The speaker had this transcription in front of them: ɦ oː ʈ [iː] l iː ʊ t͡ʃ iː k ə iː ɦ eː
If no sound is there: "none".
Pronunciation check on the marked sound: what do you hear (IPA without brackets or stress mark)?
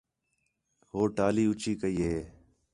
aː